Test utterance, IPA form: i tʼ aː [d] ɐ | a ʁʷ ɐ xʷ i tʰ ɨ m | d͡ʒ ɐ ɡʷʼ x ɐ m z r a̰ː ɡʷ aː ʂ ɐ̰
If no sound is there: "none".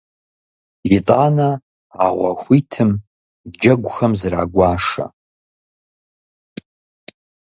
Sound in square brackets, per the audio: n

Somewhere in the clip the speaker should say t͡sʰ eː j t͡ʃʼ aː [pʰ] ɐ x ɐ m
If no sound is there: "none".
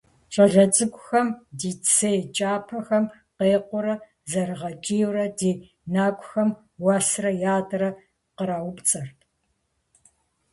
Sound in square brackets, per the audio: pʰ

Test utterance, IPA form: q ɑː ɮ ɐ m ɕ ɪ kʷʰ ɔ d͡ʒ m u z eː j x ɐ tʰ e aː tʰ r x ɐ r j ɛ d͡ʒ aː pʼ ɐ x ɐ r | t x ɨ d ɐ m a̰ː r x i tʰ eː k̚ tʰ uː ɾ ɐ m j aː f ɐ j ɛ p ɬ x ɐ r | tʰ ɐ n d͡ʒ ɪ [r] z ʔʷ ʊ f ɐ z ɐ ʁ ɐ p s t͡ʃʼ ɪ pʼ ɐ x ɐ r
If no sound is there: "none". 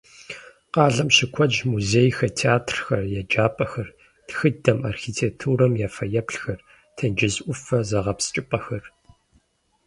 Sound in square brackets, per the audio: none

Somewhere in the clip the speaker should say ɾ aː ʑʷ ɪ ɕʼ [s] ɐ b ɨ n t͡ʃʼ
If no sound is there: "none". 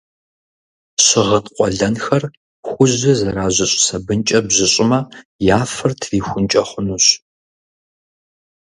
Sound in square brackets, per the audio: s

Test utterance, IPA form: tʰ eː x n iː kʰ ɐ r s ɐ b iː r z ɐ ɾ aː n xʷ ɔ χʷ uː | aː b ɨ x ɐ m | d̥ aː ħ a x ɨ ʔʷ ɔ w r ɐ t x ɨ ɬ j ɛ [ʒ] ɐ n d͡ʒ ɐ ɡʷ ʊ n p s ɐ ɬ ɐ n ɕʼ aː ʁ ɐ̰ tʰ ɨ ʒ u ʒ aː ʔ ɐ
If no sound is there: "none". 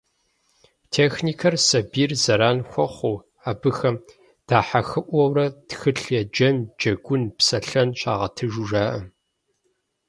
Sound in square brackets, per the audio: d͡ʒ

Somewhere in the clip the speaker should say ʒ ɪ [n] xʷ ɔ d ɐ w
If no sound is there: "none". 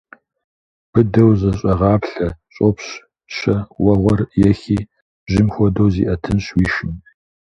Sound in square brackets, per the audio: m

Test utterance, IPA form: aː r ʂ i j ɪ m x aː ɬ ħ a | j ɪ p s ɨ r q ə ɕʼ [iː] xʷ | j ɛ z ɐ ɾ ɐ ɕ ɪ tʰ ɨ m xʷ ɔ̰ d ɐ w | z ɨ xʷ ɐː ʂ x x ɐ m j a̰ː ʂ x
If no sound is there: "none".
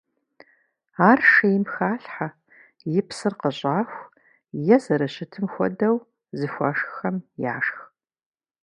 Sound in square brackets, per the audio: aː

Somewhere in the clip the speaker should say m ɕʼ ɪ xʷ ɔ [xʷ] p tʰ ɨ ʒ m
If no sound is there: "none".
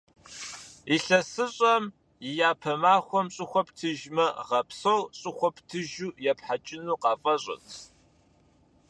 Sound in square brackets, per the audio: none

